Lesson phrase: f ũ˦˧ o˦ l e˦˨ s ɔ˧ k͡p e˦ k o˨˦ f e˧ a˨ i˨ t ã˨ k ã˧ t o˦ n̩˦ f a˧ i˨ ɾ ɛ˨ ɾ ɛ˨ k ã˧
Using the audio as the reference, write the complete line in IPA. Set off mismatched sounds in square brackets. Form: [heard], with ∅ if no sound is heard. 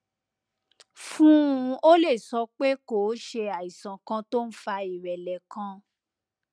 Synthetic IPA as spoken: f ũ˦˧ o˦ l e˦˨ s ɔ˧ k͡p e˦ k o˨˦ [ʃ] e˧ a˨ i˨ [s] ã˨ k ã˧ t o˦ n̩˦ f a˧ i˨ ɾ ɛ˨ [l] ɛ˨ k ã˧